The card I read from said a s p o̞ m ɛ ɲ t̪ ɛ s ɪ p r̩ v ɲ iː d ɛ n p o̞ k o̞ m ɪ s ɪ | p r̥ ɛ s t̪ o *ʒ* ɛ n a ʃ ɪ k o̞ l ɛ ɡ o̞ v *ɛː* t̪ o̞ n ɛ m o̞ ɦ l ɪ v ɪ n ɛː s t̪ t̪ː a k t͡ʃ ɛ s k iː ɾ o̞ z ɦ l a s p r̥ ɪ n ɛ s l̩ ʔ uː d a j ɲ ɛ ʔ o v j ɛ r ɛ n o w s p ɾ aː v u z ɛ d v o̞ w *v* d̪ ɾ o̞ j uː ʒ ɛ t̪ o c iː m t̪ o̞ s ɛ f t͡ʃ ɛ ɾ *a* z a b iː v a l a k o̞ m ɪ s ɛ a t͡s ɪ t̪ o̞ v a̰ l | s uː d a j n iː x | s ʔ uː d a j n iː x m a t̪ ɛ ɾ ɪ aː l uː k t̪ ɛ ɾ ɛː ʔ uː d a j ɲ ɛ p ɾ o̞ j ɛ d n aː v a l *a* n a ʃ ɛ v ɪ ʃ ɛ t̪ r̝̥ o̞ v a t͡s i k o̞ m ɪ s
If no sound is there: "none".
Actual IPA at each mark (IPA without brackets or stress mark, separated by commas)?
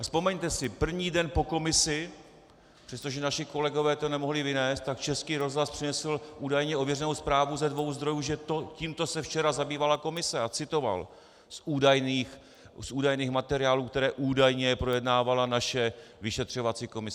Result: ʒ, ɛː, z, a, a